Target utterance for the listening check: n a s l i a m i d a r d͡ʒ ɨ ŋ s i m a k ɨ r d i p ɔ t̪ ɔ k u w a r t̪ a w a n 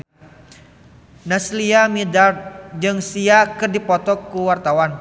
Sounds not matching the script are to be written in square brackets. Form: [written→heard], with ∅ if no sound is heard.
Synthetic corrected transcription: n a s l i a m i d a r d͡ʒ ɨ ŋ s i [m→∅] a k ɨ r d i p ɔ t̪ ɔ k u w a r t̪ a w a n